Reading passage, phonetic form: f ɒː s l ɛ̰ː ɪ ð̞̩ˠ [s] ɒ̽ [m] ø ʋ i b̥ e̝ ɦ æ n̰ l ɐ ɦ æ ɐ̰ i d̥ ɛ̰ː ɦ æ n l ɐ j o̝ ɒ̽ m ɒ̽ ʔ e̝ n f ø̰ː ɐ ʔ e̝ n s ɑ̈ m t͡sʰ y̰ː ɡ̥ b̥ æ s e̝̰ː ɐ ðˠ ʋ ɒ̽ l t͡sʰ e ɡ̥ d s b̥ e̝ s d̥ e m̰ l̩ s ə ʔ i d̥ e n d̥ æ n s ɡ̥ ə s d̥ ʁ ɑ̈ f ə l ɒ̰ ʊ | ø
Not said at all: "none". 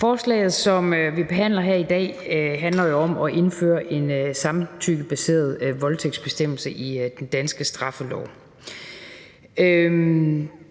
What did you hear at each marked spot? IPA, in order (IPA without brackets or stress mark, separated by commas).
s, m